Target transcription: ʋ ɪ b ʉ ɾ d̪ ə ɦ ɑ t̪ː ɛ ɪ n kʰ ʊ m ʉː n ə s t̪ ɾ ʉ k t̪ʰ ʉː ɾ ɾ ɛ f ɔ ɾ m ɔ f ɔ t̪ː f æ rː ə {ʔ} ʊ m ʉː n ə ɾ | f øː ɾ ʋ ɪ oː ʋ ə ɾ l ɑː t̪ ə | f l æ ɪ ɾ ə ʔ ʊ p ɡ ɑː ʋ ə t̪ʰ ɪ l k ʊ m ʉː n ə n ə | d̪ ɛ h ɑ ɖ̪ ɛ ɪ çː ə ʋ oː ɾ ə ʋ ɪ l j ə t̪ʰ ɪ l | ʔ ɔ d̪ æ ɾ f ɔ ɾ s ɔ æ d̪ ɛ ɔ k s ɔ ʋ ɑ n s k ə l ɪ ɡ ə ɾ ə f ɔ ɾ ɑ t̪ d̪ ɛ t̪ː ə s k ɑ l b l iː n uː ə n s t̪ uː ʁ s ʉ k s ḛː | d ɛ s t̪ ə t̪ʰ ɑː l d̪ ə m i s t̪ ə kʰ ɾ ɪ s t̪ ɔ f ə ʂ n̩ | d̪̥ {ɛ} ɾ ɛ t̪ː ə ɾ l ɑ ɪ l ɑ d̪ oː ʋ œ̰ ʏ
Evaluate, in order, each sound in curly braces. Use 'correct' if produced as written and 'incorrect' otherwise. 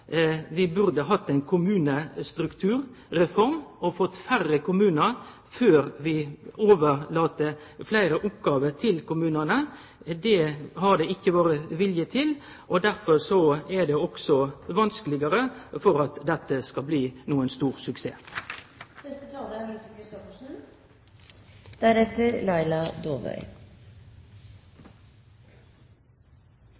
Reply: incorrect, incorrect

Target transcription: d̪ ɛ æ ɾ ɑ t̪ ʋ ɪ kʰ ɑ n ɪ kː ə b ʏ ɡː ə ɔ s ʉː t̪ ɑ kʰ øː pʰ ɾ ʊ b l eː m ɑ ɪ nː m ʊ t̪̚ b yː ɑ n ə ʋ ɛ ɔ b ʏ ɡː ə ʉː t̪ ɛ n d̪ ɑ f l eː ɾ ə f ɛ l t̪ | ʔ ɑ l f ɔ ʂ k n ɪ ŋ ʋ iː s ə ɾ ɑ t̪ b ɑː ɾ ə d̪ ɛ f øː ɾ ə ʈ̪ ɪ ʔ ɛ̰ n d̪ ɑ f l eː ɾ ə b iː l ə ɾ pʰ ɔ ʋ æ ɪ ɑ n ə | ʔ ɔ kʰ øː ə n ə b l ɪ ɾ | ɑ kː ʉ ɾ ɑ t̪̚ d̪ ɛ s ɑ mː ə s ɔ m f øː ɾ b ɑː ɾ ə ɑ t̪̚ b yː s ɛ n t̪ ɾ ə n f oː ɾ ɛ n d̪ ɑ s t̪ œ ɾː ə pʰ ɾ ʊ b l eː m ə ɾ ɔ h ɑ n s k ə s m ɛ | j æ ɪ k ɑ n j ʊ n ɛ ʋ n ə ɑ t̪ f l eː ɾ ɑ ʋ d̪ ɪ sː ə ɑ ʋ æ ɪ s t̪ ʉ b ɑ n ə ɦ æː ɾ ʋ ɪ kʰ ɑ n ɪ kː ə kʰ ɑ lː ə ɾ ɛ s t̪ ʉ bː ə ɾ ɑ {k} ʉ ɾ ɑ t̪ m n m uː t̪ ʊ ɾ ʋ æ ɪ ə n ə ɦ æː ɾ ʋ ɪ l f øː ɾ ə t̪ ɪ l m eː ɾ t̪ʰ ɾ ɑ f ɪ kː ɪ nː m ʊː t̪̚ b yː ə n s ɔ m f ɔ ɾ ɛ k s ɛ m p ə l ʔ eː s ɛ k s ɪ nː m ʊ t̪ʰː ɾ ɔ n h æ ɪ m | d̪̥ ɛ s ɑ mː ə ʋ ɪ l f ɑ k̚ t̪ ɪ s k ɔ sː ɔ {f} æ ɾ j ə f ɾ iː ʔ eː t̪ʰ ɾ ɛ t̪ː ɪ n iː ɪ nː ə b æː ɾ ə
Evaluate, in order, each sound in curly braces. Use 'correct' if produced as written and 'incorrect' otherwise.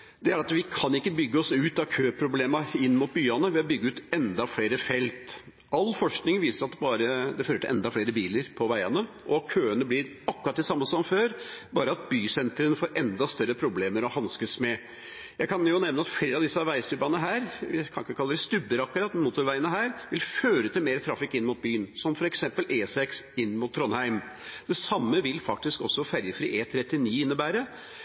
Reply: correct, correct

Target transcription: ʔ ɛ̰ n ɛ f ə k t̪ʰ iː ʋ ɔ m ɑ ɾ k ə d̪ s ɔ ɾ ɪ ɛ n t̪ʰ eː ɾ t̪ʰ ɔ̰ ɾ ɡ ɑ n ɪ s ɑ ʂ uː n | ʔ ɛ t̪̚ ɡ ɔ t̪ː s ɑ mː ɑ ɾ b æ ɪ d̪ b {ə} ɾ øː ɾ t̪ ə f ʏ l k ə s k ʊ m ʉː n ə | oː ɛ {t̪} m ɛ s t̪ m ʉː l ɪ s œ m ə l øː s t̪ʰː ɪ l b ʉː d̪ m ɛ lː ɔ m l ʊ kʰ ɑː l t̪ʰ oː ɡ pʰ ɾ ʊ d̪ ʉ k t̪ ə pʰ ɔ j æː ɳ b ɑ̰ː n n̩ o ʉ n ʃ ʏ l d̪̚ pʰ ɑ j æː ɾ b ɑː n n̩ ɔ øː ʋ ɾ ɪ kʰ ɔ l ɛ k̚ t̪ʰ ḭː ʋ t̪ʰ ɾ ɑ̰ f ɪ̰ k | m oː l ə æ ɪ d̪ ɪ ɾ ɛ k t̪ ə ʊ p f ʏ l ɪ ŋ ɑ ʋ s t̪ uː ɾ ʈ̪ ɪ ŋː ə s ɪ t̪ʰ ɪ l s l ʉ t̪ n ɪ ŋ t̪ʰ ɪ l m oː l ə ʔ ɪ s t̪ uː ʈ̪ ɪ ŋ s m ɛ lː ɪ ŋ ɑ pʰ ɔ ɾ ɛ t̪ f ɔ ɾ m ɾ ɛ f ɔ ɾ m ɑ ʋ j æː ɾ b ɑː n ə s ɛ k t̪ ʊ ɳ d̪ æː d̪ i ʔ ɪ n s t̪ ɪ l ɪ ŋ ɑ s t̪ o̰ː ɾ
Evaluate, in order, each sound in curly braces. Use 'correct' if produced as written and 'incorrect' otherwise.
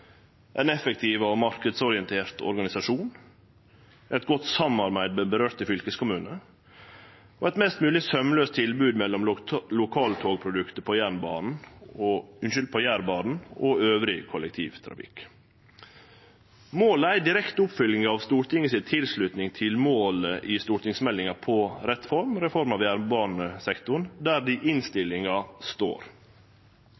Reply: correct, correct

